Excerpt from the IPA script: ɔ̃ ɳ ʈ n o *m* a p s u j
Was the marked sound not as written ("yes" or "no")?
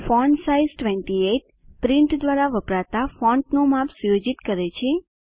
no